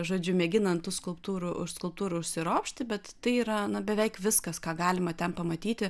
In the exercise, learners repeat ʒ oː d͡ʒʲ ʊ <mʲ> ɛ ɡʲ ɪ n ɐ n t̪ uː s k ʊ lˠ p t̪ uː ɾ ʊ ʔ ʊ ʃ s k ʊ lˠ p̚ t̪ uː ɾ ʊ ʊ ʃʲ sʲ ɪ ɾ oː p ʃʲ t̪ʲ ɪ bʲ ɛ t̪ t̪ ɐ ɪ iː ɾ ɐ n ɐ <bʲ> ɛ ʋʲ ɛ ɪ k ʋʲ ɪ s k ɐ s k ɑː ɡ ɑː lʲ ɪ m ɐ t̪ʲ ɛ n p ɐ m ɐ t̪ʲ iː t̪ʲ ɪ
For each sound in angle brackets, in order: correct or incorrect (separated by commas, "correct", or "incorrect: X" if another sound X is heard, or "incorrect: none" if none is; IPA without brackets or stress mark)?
correct, correct